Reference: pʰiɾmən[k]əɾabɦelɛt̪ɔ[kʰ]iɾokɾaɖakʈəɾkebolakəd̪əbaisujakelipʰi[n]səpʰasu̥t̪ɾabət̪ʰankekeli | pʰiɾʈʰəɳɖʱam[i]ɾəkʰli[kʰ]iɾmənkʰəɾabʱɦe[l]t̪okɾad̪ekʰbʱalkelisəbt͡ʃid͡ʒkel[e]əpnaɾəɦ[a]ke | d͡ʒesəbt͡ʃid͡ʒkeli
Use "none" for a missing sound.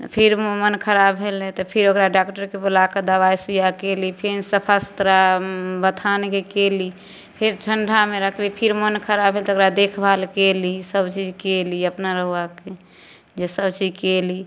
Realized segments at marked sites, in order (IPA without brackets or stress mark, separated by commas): kʰ, pʰ, n, e, pʰ, l, i, a